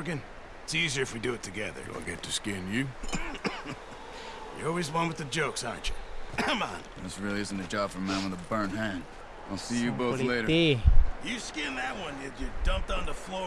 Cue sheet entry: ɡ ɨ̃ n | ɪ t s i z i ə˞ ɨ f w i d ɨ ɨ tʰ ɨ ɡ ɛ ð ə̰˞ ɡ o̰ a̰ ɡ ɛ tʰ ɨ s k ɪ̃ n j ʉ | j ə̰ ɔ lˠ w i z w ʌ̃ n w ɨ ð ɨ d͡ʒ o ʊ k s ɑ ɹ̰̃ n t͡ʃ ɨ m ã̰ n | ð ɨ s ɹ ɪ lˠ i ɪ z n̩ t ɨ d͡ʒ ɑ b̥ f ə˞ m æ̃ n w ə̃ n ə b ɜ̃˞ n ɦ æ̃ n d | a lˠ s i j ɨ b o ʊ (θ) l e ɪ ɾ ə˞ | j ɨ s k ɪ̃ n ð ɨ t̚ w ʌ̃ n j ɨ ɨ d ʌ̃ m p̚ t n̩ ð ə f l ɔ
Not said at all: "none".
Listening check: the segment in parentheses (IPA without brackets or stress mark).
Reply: θ